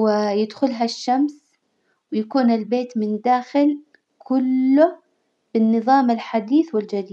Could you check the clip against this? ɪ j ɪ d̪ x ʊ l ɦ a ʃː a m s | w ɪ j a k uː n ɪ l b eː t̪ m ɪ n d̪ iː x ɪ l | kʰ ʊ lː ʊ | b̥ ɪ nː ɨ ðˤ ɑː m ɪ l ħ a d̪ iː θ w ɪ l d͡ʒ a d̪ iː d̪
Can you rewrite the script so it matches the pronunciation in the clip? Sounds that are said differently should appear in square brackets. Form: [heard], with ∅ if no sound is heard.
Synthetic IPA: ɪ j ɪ d̪ x ʊ l ɦ a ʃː a m s | w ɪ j a k uː n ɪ l b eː t̪ m ɪ n d̪ [aː] x ɪ l | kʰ ʊ lː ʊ | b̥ ɪ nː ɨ ðˤ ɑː m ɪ l ħ a d̪ iː θ w ɪ l d͡ʒ a d̪ iː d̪